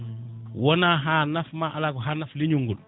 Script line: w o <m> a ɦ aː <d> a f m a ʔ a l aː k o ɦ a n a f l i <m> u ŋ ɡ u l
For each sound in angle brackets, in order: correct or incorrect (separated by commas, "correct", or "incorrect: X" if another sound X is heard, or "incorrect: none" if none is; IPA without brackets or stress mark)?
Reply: incorrect: n, incorrect: n, incorrect: ɲ